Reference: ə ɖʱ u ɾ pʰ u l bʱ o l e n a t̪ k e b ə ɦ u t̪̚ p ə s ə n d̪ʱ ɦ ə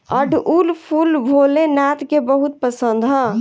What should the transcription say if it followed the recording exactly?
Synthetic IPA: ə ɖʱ u l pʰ u l bʱ o l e n a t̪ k e b ə ɦ u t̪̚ p ə s ə n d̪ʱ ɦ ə